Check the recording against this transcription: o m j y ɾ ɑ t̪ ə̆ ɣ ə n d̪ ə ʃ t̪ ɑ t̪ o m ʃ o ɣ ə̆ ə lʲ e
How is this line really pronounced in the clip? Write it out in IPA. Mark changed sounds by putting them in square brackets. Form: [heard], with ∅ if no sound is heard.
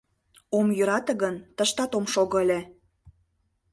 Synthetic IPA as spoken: o m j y ɾ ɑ t̪ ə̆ ɣ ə n [t̪] ə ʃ t̪ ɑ t̪ o m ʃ o ɣ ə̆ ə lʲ e